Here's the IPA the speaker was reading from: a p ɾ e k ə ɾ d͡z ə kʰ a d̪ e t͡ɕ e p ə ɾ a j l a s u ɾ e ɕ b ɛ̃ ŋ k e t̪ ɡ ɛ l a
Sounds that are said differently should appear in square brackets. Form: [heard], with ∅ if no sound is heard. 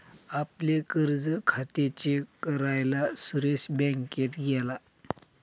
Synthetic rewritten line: a p [l] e k ə ɾ d͡z ə kʰ a [t̪] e t͡ɕ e [k] ə ɾ a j l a s u ɾ e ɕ b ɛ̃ ŋ k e t̪ ɡ ɛ l a